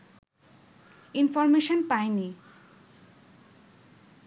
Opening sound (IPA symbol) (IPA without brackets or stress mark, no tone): i